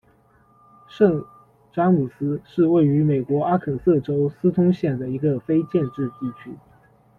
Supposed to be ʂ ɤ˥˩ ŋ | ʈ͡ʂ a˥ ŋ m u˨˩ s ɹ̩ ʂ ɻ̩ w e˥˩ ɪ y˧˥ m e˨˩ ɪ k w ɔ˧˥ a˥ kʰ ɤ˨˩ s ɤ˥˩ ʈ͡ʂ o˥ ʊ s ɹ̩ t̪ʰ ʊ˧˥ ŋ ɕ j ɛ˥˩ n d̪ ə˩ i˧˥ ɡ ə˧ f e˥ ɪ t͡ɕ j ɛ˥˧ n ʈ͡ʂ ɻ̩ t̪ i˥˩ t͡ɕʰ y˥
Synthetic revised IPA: ʂ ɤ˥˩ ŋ | ʈ͡ʂ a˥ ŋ m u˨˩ s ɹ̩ ʂ ɻ̩ w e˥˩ ɪ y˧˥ m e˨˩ ɪ k w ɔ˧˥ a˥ kʰ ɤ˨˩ s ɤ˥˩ ʈ͡ʂ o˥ ʊ s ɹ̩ t̪ʰ ʊ˥ ŋ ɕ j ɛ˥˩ n d̪ ə˩ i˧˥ ɡ ə˧ f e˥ ɪ t͡ɕ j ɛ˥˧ n ʈ͡ʂ ɻ̩ t̪ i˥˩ t͡ɕʰ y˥